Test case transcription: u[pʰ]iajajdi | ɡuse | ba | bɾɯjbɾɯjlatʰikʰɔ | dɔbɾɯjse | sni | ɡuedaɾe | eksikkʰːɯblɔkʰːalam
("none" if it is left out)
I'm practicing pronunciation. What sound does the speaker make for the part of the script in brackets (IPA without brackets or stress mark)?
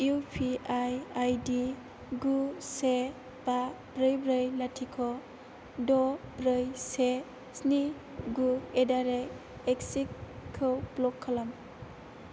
pʰ